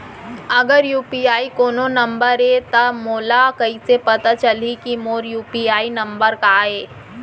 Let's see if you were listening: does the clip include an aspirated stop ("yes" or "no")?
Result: no